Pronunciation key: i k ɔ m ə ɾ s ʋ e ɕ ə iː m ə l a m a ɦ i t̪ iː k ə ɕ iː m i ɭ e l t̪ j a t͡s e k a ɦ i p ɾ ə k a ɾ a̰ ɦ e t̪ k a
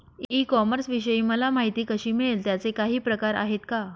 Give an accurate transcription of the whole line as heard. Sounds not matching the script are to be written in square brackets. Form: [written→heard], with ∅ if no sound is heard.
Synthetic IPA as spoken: i k ɔ m ə ɾ s ʋ [e→i] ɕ ə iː m ə l a m a ɦ i t̪ iː k ə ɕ iː m i ɭ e l t̪ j a t͡s e k a ɦ [i→iː] p ɾ ə k a ɾ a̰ ɦ e t̪ k a

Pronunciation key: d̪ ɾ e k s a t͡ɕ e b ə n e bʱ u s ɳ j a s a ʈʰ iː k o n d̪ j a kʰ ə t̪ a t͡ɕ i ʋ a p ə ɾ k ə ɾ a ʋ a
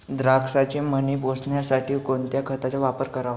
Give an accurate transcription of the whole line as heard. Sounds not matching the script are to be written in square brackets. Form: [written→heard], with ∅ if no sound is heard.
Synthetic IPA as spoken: d̪ ɾ [e→a] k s a t͡ɕ e [b→m] ə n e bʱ [u→o] s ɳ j a s a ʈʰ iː k o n [d̪→t̪] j a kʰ ə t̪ a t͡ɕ [i→a] ʋ a p ə ɾ k ə ɾ a ʋ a

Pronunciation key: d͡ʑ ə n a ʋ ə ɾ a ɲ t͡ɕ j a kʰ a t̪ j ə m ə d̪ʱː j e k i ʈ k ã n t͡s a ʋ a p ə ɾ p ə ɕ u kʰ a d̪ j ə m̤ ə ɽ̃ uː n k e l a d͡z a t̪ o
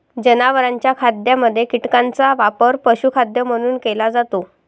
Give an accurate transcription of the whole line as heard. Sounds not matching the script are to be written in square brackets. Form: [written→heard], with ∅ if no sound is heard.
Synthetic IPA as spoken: d͡ʑ ə n a ʋ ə ɾ a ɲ t͡ɕ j a kʰ a [t̪→d̪] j [ə→a] m ə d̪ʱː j e k i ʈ k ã n t͡s a ʋ a p ə ɾ p ə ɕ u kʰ a d̪ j ə m̤ ə ɽ̃ uː n k e l a d͡z a t̪ o

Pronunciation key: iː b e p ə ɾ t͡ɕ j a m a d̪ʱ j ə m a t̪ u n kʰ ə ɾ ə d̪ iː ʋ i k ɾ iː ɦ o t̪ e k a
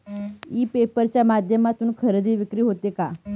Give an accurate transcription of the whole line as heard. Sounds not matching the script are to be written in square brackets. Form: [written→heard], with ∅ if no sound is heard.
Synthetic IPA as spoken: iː [b→p] e p ə ɾ t͡ɕ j a m a d̪ʱ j ə m a t̪ [u→uː] n kʰ ə ɾ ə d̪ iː ʋ i k ɾ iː ɦ o t̪ e k a

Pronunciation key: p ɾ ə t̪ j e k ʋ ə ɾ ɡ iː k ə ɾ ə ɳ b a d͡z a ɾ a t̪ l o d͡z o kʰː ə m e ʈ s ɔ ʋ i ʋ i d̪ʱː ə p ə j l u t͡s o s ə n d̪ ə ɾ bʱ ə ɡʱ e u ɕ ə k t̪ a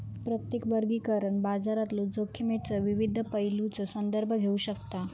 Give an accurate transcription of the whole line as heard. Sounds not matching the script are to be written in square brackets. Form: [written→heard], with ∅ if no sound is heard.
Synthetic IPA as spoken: p ɾ ə t̪ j e k ʋ ə ɾ ɡ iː k ə ɾ ə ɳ b a d͡z a ɾ a t̪ l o d͡z o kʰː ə m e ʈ [s→t͡s] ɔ ʋ i ʋ i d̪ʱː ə p ə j l u t͡s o s ə n d̪ ə ɾ bʱ ə ɡʱ e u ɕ ə k t̪ a

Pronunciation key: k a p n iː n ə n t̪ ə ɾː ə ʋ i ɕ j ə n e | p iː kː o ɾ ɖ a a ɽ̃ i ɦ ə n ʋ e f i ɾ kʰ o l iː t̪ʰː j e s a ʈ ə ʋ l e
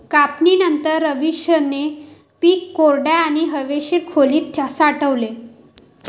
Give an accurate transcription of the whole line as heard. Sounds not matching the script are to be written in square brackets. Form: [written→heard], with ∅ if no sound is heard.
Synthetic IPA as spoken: k a p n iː n ə n t̪ ə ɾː ə ʋ i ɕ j ə n e | p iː kː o ɾ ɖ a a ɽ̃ i ɦ ə [n→∅] ʋ e [f→ɕ] i ɾ kʰ o l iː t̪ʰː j [e→a] s a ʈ ə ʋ l e

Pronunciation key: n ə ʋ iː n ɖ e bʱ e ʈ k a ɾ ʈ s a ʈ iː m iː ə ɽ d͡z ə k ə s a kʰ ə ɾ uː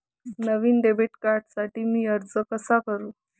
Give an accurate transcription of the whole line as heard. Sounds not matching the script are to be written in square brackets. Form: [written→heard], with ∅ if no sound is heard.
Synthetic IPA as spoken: n ə ʋ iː n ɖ e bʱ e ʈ k a ɾ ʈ s a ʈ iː m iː ə [ɽ→ɾ] d͡z ə k ə s a [kʰ→k] ə ɾ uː

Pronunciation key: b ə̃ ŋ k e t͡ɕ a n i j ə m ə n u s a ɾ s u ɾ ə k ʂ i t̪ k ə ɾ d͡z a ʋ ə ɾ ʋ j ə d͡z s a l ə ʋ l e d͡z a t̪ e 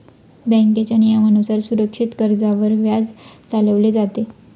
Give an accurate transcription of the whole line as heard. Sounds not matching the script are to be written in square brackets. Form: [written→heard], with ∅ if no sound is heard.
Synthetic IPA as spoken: b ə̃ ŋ k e t͡ɕ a n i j [ə→a] m ə n u s a ɾ s u ɾ ə k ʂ i t̪ k ə ɾ d͡z a ʋ ə ɾ ʋ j [ə→a] d͡z [s→t͡s] a l ə ʋ l e d͡z a t̪ e

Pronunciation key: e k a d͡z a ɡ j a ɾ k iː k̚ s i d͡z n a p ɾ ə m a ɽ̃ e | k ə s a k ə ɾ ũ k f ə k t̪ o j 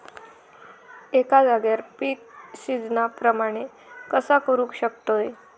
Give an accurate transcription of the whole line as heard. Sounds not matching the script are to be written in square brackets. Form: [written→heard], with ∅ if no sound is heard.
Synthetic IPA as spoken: e k a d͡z a ɡ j a ɾ [k→p] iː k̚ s i d͡z n a p ɾ ə m a ɽ̃ e | k ə s a k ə ɾ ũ k [f→ɕ] ə k t̪ o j

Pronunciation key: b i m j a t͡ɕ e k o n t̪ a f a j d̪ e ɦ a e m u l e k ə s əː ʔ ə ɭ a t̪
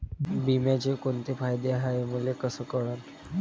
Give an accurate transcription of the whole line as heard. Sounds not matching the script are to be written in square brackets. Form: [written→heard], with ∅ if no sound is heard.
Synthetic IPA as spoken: b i m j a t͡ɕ e k o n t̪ [a→e] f a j d̪ e ɦ a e m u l e k ə s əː [ʔ→k] ə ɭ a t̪

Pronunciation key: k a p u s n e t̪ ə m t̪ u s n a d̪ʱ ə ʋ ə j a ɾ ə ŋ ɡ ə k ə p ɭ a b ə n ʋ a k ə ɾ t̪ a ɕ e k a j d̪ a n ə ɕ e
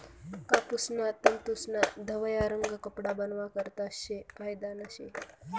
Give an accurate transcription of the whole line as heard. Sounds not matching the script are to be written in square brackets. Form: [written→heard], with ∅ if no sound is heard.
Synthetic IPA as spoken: k a p u s n [e→a] t̪ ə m t̪ u s n a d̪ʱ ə ʋ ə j a ɾ ə ŋ ɡ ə k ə p [ɭ→ɽ] a b ə n ʋ a k ə ɾ t̪ a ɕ e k a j d̪ a n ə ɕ e

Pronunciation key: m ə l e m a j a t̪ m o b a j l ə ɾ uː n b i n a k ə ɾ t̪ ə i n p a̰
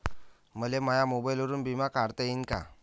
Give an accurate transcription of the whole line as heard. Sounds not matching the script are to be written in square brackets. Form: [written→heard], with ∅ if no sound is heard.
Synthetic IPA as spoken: m ə l e m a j a [t̪→∅] m o b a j l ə ɾ uː n b i [n→m] a k [ə→a] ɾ t̪ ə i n [p→k] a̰

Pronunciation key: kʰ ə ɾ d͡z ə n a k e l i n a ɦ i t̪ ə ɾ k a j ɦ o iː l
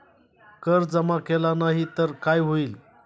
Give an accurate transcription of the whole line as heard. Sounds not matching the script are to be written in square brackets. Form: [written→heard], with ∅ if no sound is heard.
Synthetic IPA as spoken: [kʰ→k] ə ɾ d͡z ə [n→m] a k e l [i→a] n a ɦ i t̪ ə ɾ k a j ɦ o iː l

